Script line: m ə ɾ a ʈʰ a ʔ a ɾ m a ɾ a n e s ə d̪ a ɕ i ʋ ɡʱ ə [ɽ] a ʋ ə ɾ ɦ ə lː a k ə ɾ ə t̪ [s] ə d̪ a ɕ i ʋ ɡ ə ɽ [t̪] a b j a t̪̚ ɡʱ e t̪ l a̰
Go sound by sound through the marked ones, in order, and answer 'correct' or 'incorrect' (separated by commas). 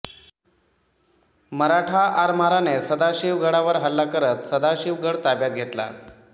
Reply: correct, correct, correct